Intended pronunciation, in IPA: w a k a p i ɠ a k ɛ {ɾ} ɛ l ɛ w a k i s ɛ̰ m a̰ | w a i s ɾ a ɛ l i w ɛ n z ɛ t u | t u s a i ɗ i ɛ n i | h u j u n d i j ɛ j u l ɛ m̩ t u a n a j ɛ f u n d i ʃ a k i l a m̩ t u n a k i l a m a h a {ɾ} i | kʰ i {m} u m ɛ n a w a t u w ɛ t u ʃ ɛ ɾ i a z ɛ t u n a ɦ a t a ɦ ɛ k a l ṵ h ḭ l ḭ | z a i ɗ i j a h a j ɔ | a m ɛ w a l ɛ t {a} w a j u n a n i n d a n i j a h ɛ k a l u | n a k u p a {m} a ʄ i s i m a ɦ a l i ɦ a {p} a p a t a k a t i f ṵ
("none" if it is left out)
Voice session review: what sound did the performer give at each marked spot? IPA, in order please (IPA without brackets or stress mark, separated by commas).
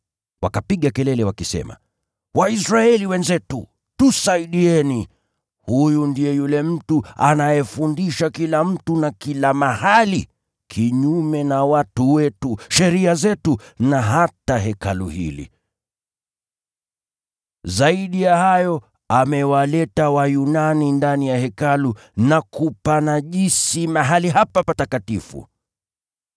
l, l, ɲ, a, n, p